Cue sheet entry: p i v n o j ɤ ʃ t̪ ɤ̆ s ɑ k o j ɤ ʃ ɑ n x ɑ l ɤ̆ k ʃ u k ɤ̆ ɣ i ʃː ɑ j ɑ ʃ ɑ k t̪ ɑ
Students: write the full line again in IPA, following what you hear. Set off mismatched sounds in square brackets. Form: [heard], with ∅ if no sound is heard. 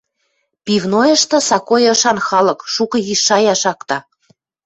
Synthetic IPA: p i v n o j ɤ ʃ t̪ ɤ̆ s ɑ k o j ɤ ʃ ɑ n x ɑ l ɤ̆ k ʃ u k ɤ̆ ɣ i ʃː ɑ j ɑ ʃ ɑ k t̪ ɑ